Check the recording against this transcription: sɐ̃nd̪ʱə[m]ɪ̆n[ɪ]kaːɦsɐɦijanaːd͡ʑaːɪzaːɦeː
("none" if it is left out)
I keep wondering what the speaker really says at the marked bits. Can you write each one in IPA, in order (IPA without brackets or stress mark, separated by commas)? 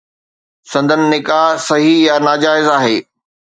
n, ɪ